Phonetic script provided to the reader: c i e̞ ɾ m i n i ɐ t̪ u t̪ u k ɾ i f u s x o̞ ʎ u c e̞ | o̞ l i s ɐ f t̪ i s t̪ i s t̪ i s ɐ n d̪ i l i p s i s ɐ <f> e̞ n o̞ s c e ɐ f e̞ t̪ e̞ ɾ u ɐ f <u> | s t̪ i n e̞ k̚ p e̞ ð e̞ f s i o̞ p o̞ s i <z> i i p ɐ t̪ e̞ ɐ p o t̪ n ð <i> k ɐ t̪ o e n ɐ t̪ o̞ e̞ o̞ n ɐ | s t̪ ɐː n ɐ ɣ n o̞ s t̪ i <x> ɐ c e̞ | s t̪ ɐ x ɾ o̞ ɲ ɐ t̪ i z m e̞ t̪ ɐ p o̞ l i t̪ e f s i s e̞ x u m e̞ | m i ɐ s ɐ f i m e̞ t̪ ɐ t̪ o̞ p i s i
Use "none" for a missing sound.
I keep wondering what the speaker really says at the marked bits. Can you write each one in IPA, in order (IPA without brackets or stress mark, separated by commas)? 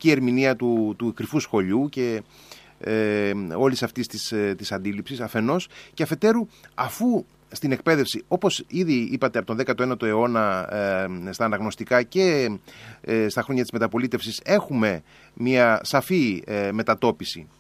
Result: f, u, ð, e, k